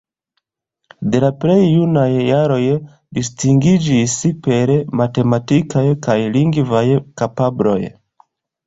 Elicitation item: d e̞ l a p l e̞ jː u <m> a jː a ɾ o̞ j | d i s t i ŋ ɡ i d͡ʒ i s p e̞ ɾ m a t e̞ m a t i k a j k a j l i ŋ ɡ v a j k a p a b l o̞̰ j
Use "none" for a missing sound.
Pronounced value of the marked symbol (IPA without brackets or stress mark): n